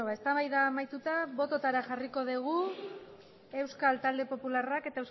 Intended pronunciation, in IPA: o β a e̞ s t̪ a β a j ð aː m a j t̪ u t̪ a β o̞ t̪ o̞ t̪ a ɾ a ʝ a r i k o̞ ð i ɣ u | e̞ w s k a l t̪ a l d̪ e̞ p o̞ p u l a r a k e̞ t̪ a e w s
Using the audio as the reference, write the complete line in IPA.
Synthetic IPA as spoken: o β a e̞ s t̪ a β a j ð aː m a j t̪ u t̪ a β o̞ t̪ o̞ t̪ a ɾ a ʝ a r i k o̞ ð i ɣ u | e̞ w s k a l t̪ a l d̪ e̞ p o̞ p u l a r a k e̞ t̪ a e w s